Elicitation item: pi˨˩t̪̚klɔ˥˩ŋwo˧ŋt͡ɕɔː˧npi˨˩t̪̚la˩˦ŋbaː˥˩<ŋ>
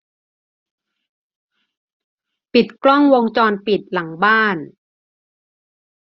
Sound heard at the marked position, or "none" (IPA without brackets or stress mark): n